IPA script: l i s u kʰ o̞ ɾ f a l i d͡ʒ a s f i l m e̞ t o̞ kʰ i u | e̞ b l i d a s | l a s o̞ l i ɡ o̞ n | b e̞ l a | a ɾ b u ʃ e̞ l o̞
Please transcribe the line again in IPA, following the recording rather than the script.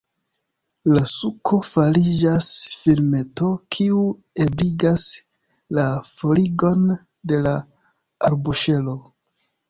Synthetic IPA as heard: l a s u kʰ o̞ f a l i d͡ʒ a s f i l m e̞ t o̞ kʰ i u | e̞ b l i ɡ a s | l a f o̞ l i ɡ o̞ n | d e̞ l a | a ɾ b u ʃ e̞ l o̞